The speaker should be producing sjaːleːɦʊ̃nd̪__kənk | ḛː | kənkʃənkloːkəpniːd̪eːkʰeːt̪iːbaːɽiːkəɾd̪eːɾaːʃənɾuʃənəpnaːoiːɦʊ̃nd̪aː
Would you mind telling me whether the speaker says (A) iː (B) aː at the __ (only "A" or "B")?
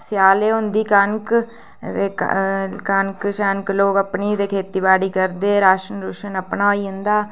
A